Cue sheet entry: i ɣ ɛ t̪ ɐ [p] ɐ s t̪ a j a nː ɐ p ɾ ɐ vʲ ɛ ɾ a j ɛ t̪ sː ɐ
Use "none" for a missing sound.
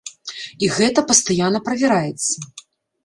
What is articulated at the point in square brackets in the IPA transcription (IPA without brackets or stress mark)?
p